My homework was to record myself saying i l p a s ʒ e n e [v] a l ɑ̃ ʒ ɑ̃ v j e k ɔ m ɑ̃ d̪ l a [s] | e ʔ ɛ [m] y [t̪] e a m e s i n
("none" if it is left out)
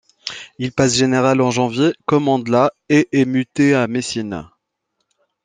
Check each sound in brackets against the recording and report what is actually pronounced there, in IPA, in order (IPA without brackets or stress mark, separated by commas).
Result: ʁ, none, m, t̪